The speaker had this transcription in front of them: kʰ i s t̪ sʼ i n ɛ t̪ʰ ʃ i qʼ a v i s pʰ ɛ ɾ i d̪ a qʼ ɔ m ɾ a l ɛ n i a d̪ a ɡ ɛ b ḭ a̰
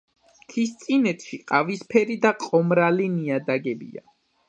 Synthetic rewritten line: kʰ i s t̪ sʼ i n ɛ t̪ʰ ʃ i qʼ a v i s pʰ ɛ ɾ i d̪ a qʼ ɔ m ɾ a l i n i a d̪ a ɡ ɛ b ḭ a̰